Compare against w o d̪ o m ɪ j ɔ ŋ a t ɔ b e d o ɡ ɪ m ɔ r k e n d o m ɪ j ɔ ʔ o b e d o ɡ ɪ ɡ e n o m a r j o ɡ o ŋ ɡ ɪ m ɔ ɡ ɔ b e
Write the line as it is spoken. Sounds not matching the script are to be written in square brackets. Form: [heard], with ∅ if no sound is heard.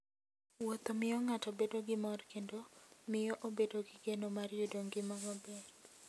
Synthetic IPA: w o [t̪] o m ɪ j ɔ ŋ a t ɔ b e d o ɡ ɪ m ɔ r k e n d o m ɪ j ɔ ʔ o b e d o ɡ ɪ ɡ e n o m a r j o [d] o ŋ ɡ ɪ m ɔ ɡ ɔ b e